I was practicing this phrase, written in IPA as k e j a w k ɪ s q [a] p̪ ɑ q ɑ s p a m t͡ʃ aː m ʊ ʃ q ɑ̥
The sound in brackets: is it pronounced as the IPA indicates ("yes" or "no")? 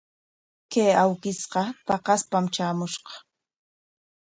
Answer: no